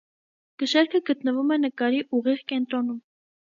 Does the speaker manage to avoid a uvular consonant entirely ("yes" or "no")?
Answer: no